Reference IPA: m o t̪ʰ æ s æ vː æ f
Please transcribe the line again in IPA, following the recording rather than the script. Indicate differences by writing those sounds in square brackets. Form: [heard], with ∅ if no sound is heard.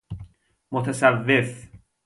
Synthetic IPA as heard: m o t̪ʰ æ s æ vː [e] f